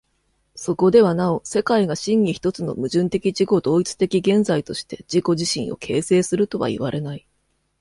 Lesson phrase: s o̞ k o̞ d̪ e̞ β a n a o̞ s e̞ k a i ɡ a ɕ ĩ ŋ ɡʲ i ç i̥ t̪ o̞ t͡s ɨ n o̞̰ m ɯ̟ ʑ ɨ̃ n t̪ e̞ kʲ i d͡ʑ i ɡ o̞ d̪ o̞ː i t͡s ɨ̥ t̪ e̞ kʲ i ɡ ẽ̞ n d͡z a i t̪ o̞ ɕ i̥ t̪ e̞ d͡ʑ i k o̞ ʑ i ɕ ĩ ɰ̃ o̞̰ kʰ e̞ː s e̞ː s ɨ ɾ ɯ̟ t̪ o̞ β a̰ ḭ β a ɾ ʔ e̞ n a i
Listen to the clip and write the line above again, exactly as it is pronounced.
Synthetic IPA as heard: s o̞ k o̞ d̪ e̞ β a n a o̞ s e̞ k a i ɡ a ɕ ĩ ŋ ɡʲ i ç i̥ t̪ o̞ t͡s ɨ n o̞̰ m ɯ̟ ʑ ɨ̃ n t̪ e̞ kʲ i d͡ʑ i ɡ o̞ d̪ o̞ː i t͡s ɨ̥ t̪ e̞ kʲ i ɡ ẽ̞ n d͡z a i t̪ o̞ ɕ i̥ t̪ e̞ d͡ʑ i k o̞ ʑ i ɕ ĩ ɰ̃ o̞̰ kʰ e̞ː s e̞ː s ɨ ɾ ɯ̟ t̪ o̞ β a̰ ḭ β a ɾ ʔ e̞ n a i

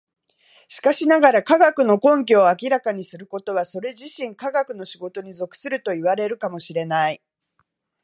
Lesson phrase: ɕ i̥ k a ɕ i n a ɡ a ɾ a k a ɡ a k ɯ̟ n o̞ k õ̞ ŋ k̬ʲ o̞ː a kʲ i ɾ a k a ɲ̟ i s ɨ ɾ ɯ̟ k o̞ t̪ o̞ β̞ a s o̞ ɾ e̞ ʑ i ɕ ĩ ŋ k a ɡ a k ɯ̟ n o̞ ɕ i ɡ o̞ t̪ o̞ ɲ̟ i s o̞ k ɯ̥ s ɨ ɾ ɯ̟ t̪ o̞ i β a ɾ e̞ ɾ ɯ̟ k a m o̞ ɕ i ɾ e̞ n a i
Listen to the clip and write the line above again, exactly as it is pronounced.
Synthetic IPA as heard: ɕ i̥ k a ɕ i n a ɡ a ɾ a k a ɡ a k ɯ̟ n o̞ k õ̞ ŋ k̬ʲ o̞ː a kʲ i ɾ a k a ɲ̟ i s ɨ ɾ ɯ̟ k o̞ t̪ o̞ β̞ a s o̞ ɾ e̞ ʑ i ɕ ĩ ŋ k a ɡ a k ɯ̟ n o̞ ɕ i ɡ o̞ t̪ o̞ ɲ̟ i z o̞ k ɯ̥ s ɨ ɾ ɯ̟ t̪ o̞ i β a ɾ e̞ ɾ ɯ̟ k a m o̞ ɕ i ɾ e̞ n a i

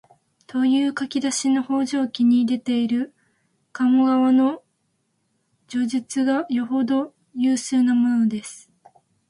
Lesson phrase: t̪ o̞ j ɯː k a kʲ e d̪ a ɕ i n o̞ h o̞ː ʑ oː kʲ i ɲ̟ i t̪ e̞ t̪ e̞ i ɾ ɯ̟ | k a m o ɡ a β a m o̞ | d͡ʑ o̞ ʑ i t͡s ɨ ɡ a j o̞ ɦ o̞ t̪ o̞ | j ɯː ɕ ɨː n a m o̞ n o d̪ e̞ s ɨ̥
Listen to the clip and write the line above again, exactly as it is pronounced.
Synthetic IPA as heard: t̪ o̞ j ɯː k a kʲ i d̪ a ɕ i n o̞ h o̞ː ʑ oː kʲ i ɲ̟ i d̪ e̞ t̪ e̞ i ɾ ɯ̟ | k a m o ɡ a β a n o̞ | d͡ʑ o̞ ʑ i t͡s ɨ ɡ a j o̞ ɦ o̞ d̪ o̞ | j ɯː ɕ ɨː n a m o̞ n o d̪ e̞ s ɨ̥

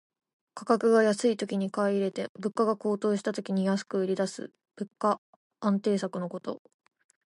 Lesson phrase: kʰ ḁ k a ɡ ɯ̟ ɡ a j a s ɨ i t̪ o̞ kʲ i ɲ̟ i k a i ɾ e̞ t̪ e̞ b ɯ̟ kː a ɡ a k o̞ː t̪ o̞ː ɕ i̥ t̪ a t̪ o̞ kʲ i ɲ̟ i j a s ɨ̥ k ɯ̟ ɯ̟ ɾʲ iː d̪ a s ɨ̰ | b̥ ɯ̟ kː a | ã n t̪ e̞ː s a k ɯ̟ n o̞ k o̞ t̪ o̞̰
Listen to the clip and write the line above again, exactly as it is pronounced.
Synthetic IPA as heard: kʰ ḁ k a k ɯ̟ ɡ a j a s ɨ i t̪ o̞ kʲ i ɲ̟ i k a i ɾ e̞ t̪ e̞ b ɯ̟ kː a ɡ a k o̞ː t̪ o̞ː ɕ i̥ t̪ a t̪ o̞ kʲ i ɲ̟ i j a s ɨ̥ k ɯ̟ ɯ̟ ɾʲ i d̪ a s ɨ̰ | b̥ ɯ̟ kː a | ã n t̪ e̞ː s a k ɯ̟ n o̞ k o̞ t̪ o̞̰

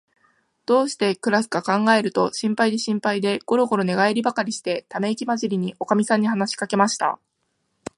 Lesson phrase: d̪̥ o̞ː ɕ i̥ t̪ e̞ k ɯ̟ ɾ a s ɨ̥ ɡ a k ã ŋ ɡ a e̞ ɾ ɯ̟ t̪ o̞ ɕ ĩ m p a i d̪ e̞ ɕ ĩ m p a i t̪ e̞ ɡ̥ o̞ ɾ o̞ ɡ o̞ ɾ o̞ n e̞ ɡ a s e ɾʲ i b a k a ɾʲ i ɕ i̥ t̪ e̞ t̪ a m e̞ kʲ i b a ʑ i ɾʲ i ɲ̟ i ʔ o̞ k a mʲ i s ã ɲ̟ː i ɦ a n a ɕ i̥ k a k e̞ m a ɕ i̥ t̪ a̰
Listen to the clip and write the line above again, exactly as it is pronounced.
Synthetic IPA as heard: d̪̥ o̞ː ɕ i̥ t̪ e̞ k ɯ̟ ɾ a s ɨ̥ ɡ a k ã ŋ ɡ a e̞ ɾ ɯ̟ t̪ o̞ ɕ ĩ m p a i d̪ e̞ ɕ ĩ m p a i d̪ e̞ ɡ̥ o̞ ɾ o̞ ɡ o̞ ɾ o̞ n e̞ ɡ a e ɾʲ i b a k a ɾʲ i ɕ i̥ t̪ e̞ t̪ a m e̞ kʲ i m a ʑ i ɾʲ i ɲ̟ i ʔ o̞ k a mʲ i s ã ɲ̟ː i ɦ a n a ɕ i̥ k a k e̞ m a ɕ i̥ t̪ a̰

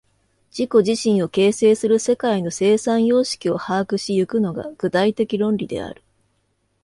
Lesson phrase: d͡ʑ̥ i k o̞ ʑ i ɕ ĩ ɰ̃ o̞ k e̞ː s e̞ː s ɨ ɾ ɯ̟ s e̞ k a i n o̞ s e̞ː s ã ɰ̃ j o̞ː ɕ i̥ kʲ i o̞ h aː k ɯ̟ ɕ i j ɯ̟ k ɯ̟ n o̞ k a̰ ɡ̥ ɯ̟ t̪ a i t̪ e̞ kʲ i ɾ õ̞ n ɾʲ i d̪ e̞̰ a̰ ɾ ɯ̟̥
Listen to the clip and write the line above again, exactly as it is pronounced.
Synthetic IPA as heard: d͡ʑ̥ i k o̞ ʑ i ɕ ĩ ɰ̃ o̞ k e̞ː s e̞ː s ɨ ɾ ɯ̟ s e̞ k a i n o̞ s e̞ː s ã ɰ̃ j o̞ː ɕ i̥ kʲ i o̞ h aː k ɯ̟ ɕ i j ɯ̟ k ɯ̟ n o̞ ɡ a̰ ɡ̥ ɯ̟ t̪ a i t̪ e̞ kʲ i ɾ õ̞ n ɾʲ i d̪ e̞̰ a̰ ɾ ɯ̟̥

